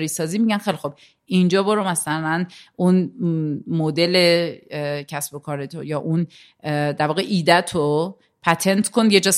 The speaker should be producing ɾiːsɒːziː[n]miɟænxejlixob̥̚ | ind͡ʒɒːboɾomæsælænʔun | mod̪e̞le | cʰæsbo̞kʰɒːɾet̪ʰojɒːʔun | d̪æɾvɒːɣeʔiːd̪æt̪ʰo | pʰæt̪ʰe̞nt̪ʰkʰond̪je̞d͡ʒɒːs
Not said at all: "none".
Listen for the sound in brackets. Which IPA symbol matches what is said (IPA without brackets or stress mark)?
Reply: none